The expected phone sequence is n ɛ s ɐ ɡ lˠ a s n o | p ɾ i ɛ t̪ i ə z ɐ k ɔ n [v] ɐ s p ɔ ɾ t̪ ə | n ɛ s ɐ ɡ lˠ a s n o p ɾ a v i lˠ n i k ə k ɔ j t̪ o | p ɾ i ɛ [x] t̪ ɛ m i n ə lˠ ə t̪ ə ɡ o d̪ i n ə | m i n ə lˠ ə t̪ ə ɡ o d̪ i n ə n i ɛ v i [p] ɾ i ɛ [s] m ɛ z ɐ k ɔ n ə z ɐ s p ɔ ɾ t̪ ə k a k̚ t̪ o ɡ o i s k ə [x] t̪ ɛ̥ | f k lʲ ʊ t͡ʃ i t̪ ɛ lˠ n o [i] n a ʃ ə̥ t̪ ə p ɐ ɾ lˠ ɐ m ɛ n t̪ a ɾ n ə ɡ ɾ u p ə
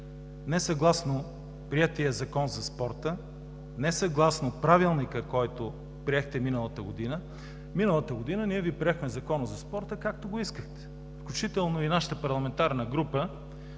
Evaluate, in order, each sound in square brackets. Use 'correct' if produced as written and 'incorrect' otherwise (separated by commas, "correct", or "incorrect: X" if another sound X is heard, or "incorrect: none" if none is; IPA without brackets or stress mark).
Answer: incorrect: z, correct, correct, incorrect: x, correct, correct